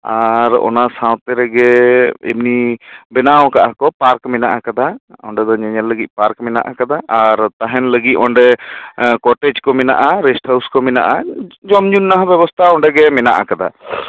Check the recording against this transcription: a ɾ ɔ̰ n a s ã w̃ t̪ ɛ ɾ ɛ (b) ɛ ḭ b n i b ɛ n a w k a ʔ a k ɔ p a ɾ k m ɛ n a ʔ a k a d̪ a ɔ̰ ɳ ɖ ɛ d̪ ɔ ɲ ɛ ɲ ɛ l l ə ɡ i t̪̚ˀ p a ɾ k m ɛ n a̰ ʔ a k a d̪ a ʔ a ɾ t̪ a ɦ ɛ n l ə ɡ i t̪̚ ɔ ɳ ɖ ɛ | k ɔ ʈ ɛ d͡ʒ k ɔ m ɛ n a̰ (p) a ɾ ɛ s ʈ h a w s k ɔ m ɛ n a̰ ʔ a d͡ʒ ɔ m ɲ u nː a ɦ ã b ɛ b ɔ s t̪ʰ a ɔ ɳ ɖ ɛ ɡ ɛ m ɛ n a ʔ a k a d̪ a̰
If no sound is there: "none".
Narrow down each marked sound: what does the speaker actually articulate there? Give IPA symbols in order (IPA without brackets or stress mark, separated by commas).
ɡ, ʔ